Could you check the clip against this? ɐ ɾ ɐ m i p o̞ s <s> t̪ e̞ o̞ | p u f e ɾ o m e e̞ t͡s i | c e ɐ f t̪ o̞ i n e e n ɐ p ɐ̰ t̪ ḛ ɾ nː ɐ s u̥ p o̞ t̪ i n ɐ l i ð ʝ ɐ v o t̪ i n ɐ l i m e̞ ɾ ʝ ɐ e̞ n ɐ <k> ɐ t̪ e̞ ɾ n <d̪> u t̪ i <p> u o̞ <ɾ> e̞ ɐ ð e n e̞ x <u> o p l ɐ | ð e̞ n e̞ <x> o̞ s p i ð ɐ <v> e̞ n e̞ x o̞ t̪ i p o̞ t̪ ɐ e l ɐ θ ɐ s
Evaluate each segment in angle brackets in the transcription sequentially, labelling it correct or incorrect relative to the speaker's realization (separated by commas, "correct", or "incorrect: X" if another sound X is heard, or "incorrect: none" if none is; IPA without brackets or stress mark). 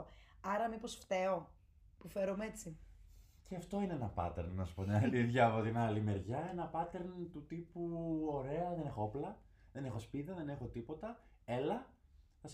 incorrect: f, incorrect: p, incorrect: t̪, correct, correct, incorrect: o, correct, incorrect: ð